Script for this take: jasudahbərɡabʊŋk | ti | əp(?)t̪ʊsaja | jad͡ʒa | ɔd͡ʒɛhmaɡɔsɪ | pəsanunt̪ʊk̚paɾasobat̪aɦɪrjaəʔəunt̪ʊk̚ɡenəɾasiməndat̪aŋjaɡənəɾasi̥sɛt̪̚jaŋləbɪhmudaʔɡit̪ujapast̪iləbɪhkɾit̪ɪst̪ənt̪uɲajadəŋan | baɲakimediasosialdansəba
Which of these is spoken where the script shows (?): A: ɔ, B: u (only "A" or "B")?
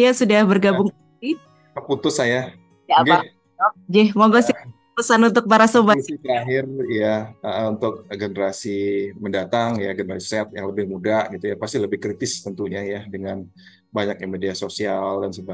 B